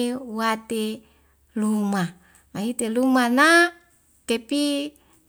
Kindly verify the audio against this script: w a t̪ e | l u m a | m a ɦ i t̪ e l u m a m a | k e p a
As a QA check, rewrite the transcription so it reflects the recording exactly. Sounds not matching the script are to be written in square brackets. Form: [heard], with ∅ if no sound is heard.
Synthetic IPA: w a t̪ e | l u m a | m a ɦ i t̪ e l u m a [n] a | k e p [i]